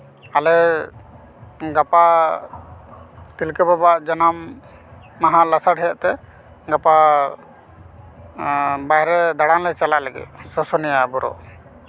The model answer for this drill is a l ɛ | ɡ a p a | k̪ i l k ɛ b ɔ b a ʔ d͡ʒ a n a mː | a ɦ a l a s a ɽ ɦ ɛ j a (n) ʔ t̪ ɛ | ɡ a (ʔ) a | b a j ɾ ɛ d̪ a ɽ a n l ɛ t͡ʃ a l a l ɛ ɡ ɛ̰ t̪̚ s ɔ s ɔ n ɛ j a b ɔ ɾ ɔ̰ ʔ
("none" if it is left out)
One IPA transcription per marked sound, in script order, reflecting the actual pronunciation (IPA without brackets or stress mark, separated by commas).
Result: none, p